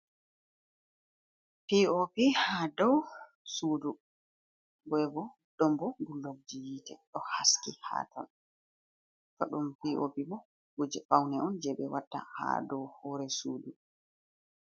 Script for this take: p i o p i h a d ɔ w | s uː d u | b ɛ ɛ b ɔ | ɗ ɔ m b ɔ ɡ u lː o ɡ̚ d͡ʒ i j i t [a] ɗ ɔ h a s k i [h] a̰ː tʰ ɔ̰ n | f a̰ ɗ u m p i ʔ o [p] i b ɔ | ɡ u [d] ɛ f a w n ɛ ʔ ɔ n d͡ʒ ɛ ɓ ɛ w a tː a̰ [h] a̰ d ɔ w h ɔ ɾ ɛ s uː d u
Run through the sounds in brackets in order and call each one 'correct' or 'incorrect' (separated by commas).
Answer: incorrect, correct, correct, incorrect, correct